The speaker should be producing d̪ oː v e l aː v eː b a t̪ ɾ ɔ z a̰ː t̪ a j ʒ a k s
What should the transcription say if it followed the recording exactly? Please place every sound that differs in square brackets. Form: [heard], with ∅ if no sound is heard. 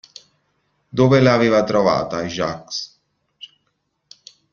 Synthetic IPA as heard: d̪ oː v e l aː v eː [v] a t̪ ɾ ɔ [v] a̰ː t̪ a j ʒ a k s

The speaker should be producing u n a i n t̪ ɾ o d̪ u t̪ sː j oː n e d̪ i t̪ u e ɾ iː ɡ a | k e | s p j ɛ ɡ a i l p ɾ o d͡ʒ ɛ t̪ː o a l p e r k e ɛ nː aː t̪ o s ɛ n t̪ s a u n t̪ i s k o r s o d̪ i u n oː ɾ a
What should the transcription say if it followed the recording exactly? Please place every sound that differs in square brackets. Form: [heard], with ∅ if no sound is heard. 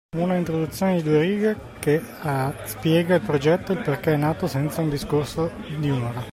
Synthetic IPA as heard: u n a i n t̪ ɾ o d̪ u t̪ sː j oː n e d̪ i [d̪] u e ɾ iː ɡ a | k e | s p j [ɛː] ɡ a i l p ɾ o d͡ʒ ɛ t̪ː o [i] l p e r k e ɛ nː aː t̪ o s ɛ n t̪ s a u n [d̪] i s k o r s o d̪ i u n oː ɾ a

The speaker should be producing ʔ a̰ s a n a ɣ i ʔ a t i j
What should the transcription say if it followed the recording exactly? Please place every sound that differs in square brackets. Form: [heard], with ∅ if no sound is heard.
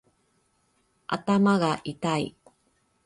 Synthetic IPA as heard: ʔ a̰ [t] a [m] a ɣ [a] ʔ [i] t [a] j

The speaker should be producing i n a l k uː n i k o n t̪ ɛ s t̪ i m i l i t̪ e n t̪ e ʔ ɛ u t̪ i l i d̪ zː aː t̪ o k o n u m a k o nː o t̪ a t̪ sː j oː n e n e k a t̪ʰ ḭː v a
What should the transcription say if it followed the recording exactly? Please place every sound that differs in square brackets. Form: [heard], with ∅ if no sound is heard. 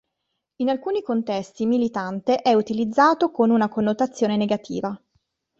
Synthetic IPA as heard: i n a l k uː n i k o n t̪ ɛ s t̪ i m i l i t̪ [a] n t̪ e ʔ ɛ u t̪ i l i d̪ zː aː t̪ o k o n u [n] a k o nː o t̪ a t̪ sː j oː n e n e [ɡ] a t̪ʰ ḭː v a

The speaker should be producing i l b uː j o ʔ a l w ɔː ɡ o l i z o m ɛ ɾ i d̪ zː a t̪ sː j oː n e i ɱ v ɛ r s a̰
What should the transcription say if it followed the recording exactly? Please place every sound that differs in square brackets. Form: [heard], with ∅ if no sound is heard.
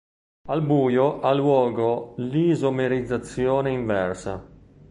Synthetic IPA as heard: [a] l b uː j o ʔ a l w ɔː ɡ o l i z o m [e] ɾ i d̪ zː a t̪ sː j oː n e i ɱ v ɛ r s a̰

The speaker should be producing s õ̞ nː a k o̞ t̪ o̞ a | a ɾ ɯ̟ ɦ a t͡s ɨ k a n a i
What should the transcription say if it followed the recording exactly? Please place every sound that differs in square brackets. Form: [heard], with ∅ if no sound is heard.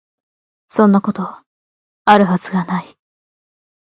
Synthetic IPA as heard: s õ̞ nː a k o̞ t̪ o̞ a | a ɾ ɯ̟ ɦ a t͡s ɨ [ɡ] a n a i

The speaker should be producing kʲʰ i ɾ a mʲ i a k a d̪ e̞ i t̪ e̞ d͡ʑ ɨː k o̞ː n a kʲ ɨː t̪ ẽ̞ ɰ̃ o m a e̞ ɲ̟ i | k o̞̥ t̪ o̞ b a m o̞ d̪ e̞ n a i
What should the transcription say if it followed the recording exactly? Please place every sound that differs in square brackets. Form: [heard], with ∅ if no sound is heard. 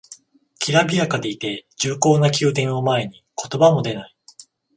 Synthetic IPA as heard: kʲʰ i ɾ a [bʲ] i a k a d̪ e̞ i t̪ e̞ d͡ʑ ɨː k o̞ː n a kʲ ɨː t̪ ẽ̞ ɰ̃ o m a e̞ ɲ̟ i | k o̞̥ t̪ o̞ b a m o̞ d̪ e̞ n a i

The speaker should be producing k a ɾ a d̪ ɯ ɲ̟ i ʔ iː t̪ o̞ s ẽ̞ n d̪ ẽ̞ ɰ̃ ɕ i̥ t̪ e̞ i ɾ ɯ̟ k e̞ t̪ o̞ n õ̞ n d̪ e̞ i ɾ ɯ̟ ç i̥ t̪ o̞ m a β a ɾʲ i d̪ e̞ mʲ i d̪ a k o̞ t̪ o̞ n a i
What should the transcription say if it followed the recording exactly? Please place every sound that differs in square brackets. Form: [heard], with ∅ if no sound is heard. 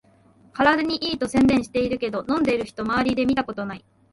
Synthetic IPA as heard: k a ɾ a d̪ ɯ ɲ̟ i ʔ iː t̪ o̞ s ẽ̞ n d̪ ẽ̞ ɰ̃ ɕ i̥ t̪ e̞ i ɾ ɯ̟ k e̞ [d̪] o̞ n õ̞ n d̪ e̞ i ɾ ɯ̟ ç i̥ t̪ o̞ m a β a ɾʲ i d̪ e̞ mʲ i [t̪] a k o̞ t̪ o̞ n a i

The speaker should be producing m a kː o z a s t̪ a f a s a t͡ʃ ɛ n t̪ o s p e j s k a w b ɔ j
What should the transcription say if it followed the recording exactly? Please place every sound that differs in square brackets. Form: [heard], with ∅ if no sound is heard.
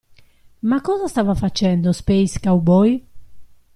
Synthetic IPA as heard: m a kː [ɔ] z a s t̪ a [v] a [f] a t͡ʃ ɛ n [d̪] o s p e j s k a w b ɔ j

